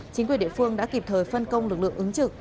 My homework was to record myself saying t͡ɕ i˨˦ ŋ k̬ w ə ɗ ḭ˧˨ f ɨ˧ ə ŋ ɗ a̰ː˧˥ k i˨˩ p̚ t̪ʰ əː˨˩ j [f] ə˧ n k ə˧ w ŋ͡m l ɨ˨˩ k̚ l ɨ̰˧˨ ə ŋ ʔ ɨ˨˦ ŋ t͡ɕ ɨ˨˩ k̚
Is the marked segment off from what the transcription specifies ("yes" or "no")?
no